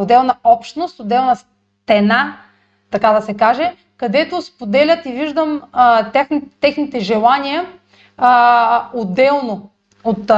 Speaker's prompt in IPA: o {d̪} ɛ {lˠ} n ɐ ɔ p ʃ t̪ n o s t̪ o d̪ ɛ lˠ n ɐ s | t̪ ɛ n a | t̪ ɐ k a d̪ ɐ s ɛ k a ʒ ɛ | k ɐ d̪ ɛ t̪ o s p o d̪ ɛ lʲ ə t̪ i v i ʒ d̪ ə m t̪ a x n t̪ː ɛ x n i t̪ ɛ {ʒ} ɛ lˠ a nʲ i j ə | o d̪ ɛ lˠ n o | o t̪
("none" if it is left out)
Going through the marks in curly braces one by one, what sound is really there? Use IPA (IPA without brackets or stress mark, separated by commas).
d̪, lˠ, ʒ